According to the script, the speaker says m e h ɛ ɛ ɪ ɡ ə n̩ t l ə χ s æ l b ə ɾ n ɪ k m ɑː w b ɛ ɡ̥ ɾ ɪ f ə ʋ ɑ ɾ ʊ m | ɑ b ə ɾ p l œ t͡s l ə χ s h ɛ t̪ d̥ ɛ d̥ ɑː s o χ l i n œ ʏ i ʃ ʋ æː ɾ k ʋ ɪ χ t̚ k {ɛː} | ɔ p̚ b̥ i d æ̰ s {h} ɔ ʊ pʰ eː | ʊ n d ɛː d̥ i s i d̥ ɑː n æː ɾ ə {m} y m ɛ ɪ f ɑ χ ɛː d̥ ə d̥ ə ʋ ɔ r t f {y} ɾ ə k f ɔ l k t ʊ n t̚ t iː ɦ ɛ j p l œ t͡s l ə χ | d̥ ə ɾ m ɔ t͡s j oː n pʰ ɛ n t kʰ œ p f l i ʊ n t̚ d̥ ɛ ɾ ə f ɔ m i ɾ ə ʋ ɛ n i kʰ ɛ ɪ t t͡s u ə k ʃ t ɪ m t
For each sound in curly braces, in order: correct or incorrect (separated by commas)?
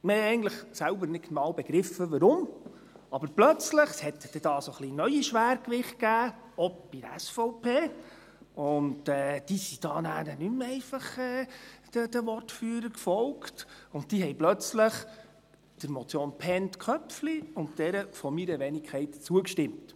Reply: incorrect, incorrect, incorrect, incorrect